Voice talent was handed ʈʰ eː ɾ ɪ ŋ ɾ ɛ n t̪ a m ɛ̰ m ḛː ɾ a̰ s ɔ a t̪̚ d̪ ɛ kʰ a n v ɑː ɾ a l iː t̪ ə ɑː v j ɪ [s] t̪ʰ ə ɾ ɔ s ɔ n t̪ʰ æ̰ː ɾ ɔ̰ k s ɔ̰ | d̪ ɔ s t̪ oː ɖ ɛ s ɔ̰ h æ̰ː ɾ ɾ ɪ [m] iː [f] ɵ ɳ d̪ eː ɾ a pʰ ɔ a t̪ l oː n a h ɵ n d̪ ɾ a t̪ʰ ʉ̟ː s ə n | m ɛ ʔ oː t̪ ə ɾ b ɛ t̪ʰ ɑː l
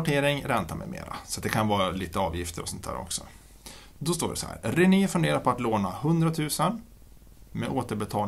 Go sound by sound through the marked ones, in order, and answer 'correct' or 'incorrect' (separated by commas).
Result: incorrect, incorrect, correct